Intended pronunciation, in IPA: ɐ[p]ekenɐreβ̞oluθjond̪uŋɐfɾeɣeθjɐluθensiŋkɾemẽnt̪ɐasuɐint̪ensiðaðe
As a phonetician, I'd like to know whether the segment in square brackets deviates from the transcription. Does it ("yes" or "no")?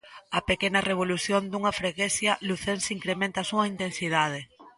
no